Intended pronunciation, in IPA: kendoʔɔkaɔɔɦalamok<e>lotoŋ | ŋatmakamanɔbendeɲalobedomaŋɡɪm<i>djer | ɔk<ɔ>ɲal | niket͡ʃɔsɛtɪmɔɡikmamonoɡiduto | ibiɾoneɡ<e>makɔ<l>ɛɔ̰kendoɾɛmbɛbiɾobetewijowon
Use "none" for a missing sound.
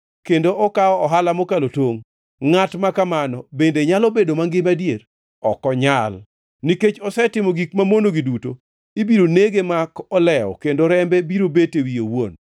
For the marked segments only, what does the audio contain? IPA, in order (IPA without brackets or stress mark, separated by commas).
a, a, ɔ, e, l